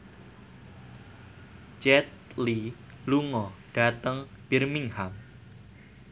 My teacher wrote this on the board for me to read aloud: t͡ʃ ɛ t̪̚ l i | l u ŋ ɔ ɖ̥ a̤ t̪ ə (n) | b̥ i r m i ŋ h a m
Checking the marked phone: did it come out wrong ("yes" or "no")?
yes